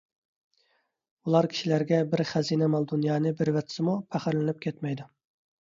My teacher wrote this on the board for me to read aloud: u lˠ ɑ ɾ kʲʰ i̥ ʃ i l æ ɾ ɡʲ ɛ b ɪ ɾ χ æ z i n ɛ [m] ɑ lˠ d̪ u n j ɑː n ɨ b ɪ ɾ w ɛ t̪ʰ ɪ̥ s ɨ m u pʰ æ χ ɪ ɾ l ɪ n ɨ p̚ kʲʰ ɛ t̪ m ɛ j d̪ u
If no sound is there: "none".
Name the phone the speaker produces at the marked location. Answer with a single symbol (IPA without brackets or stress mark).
m